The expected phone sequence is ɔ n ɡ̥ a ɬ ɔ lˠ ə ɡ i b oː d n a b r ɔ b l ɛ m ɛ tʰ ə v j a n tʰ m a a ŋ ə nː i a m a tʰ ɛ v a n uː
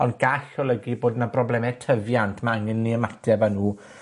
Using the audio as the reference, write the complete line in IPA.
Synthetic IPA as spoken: ɔ n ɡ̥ a ɬ ɔ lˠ ə ɡ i b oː d n a b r ɔ b l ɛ m ɛ tʰ ə v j a n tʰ m a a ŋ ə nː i ə m a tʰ ɛ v a n uː